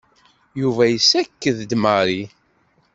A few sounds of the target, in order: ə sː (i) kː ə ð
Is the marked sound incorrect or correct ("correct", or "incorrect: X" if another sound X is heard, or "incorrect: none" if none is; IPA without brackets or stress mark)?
incorrect: æ